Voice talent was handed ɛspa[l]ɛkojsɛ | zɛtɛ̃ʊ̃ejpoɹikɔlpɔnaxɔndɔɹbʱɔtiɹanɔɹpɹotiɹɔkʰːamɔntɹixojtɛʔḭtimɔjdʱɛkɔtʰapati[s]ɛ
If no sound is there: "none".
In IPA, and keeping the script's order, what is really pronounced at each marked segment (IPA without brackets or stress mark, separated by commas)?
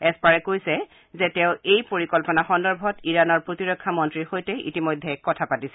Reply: ɹ, s